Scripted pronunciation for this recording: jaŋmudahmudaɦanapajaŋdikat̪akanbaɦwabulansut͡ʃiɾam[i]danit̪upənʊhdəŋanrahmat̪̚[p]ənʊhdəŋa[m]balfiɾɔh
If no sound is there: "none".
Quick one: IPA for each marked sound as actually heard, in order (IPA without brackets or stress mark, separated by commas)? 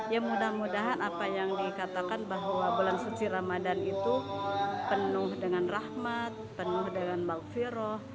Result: a, p, n